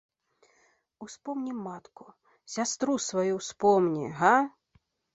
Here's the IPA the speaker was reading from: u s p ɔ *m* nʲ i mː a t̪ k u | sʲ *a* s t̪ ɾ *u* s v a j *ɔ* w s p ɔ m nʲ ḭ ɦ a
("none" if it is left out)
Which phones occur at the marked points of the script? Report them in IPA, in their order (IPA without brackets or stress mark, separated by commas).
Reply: m, a, u, u